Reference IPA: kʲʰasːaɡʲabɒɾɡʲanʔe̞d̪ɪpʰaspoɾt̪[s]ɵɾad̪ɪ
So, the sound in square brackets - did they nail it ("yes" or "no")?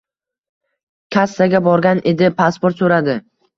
yes